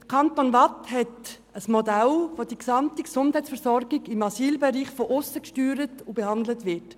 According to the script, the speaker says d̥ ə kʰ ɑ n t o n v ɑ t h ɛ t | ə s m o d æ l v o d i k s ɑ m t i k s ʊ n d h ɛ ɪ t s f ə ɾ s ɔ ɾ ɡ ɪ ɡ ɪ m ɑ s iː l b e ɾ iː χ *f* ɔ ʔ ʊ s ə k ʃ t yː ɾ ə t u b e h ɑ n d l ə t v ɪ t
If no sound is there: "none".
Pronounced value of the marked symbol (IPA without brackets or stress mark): f